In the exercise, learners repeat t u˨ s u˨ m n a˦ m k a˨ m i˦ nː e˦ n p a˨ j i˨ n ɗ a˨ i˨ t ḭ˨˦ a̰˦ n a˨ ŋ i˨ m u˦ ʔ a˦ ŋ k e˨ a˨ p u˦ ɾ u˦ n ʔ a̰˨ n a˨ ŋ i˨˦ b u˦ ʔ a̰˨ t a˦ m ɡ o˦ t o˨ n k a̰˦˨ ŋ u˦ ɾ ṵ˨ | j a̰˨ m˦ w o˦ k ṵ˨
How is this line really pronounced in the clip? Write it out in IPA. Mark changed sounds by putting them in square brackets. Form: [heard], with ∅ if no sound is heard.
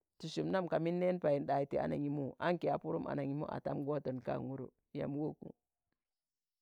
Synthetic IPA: t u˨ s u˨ m n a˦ m k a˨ m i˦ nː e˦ n p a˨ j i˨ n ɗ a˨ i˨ t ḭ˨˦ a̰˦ n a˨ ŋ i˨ m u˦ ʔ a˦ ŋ k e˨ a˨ p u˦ ɾ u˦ [m] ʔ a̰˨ n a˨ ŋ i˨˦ [m] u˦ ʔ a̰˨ t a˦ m ɡ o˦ t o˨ n k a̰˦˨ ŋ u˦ ɾ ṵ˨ | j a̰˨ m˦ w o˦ k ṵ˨